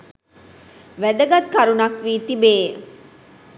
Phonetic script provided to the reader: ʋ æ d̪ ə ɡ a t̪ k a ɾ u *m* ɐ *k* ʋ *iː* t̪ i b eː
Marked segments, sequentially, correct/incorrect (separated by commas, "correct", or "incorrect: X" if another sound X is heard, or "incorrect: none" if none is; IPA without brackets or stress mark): incorrect: n, correct, correct